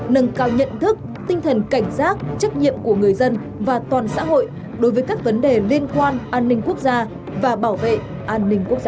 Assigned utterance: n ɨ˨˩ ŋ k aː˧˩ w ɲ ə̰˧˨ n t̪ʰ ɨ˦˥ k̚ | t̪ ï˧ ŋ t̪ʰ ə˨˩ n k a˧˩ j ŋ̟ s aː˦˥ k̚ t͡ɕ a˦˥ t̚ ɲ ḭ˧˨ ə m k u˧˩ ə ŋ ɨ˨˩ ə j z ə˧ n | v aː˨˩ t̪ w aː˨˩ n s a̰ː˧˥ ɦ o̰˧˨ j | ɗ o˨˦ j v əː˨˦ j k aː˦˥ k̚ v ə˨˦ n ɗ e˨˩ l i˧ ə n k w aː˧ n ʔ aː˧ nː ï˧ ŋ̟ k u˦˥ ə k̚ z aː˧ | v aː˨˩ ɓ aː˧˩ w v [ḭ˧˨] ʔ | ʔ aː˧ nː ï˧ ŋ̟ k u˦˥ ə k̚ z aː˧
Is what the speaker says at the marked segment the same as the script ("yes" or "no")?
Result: no